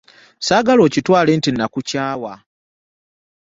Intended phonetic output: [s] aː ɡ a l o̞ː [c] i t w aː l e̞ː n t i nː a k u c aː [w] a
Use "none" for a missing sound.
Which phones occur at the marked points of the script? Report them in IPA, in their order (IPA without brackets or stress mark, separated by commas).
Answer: s, c, w